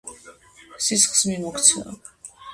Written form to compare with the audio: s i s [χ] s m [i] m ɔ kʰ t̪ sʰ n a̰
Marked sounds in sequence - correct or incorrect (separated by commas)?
correct, correct